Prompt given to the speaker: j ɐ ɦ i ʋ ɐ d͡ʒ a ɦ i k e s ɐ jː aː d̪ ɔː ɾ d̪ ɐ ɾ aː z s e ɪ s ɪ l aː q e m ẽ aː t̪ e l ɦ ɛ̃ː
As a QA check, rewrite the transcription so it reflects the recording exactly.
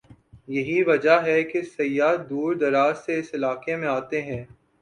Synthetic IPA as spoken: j ɐ ɦ i ʋ ɐ d͡ʒ a ɦ ɛ k e s ɐ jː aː d̪ uː ɾ d̪ ɐ ɾ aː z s e ɪ s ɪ l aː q e m ẽ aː t̪ e ɦ ɛ̃ː